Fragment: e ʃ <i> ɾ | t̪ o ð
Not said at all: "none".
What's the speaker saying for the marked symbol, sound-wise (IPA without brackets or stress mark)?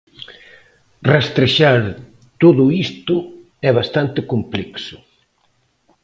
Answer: a